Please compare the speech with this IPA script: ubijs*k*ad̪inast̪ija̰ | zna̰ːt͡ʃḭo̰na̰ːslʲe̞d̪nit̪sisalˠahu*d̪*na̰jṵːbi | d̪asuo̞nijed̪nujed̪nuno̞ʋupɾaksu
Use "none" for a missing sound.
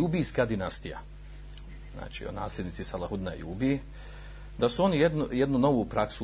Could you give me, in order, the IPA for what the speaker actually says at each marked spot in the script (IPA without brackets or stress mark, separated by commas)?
k, d̪